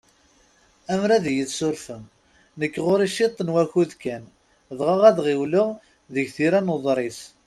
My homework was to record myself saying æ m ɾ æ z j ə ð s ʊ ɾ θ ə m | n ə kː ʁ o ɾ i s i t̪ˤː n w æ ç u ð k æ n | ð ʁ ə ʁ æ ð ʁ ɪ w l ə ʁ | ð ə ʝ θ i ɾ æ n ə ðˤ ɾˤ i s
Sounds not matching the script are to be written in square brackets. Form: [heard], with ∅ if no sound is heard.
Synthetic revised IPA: æ m ɾ æ [ð] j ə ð s ʊ ɾ [f] ə m | n ə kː ʁ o ɾ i [ʃ] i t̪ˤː n w æ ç u ð k æ n | ð ʁ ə ʁ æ ð ʁ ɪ w l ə ʁ | ð ə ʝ θ i ɾ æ n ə ðˤ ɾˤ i s